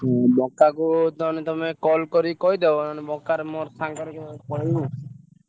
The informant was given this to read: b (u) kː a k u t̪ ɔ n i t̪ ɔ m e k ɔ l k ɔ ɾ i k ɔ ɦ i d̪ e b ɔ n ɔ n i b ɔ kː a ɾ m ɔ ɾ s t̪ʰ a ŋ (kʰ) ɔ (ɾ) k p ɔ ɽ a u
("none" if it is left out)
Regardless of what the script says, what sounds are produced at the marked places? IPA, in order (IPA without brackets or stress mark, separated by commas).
ɔ, k, ɾ